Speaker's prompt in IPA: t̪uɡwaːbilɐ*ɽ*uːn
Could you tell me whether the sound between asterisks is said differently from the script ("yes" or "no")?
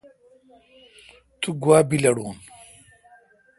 no